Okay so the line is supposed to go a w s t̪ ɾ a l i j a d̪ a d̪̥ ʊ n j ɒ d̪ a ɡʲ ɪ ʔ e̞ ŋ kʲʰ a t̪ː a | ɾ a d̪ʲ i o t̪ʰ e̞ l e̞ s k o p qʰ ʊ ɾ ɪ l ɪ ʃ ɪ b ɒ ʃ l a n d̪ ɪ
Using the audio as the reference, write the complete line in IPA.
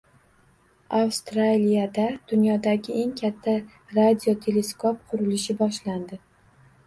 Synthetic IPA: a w s t̪ ɾ a l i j a d̪ a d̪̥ ʊ n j ɒ d̪ a ɡʲ ɪ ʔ e̞ ŋ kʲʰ a t̪ʰː a | ɾ a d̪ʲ i o t̪ʰ e̞ l e̞ s k o p qʰ ʊ ɾ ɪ l ɪ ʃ ɪ b ɒ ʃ l a n d̪ ɪ

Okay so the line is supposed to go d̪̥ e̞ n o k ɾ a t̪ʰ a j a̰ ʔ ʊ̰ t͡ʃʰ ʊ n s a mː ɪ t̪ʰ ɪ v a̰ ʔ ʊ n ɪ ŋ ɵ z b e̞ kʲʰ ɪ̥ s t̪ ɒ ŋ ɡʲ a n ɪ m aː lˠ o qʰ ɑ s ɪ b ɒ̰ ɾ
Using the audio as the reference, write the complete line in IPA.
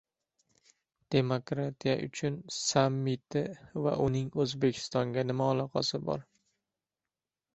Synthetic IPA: d̪̥ e̞ m o k ɾ a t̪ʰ i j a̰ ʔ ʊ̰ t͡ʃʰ ʊ n s a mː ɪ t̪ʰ ɪ v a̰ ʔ ʊ n ɪ ŋ ɵ z b e̞ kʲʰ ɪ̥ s t̪ ɒ ŋ ɡʲ a n ɪ m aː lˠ ɒ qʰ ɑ s ɪ b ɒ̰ ɾ

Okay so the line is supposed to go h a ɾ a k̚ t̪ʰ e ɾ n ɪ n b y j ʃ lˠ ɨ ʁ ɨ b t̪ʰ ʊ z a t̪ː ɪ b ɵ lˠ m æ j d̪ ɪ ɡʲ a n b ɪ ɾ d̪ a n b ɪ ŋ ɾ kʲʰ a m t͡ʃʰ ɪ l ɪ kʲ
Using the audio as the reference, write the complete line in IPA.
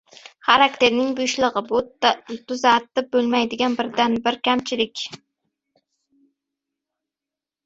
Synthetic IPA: χ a ɾ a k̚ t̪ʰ e ɾ n ɪ ŋ b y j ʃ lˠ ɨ ʁ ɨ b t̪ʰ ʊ z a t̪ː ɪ b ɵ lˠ m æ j d̪ ɪ ɡʲ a n b ɪ ɾ d̪ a n b ɪ ɾ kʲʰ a m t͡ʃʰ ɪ l ɪ kʲ

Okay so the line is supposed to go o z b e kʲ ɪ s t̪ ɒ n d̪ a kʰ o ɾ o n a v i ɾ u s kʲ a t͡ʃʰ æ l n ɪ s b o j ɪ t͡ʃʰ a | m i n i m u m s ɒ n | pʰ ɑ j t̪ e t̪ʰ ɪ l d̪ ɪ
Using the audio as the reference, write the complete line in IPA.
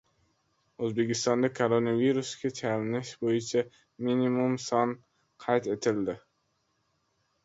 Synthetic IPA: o z b e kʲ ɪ s t̪ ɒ n d̪ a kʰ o ɾ o n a v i ɾ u s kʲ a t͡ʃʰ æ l n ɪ ʃ b o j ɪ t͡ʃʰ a | m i n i m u m s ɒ n | qʰ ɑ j t̪ e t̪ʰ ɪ l d̪ ɪ

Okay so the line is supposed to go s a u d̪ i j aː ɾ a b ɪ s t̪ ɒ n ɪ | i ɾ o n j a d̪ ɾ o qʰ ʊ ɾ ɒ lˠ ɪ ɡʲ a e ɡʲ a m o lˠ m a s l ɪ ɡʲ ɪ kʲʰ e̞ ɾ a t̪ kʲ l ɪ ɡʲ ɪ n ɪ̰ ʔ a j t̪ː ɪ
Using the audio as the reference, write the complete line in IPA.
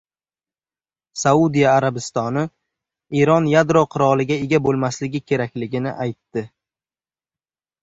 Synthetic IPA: s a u d̪ i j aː ɾ a b ɪ s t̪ ɒ n ɪ | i ɾ ɒ n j a d̪ ɾ o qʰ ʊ ɾ ɒ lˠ ɪ ɡʲ a e ɡʲ a b o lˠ m a s l ɪ ɡʲ ɪ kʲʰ e̞ ɾ a kʲ l ɪ ɡʲ ɪ n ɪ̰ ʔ a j t̪ː ɪ

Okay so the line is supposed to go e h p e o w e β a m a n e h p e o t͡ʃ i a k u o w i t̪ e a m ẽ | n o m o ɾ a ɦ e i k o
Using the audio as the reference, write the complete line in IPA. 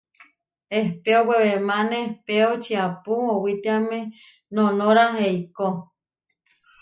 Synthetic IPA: e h p e o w e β e m a n e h p e o t͡ʃ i a p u o w i t̪ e a m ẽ | n o n o ɾ a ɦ e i k o

